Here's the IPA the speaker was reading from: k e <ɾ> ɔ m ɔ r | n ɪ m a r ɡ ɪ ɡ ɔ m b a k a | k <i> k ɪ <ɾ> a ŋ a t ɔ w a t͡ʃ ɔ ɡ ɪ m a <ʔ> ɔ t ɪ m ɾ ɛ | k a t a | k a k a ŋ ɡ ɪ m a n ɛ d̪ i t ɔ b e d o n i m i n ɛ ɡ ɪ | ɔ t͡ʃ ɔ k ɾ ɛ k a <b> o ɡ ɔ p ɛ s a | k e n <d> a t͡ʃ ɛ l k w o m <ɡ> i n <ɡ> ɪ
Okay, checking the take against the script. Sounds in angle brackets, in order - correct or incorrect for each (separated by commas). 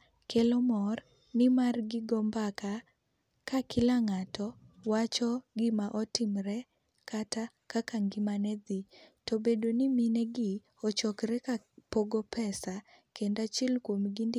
incorrect, incorrect, incorrect, correct, incorrect, correct, correct, incorrect